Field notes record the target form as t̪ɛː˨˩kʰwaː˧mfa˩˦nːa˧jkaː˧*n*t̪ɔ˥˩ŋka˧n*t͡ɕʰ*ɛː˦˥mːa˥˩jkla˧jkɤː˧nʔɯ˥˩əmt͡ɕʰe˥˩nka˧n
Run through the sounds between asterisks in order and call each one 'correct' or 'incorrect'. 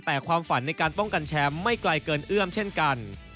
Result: correct, correct

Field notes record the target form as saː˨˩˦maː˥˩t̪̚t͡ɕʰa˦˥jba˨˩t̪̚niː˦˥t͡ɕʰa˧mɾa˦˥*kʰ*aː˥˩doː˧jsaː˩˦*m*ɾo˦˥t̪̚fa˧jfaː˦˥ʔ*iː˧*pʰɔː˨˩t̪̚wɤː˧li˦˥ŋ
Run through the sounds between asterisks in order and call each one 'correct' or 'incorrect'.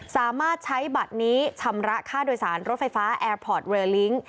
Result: correct, incorrect, incorrect

